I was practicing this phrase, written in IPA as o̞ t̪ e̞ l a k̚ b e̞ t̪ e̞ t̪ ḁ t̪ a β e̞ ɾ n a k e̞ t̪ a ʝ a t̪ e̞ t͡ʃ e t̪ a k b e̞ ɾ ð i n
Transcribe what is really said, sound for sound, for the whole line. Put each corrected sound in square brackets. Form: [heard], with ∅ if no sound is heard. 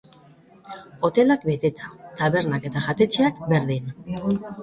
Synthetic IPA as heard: o̞ t̪ e̞ l a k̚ b e̞ t̪ e̞ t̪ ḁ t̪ a β e̞ ɾ n a k e̞ t̪ a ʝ a t̪ e̞ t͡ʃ e [∅] a k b e̞ ɾ ð i n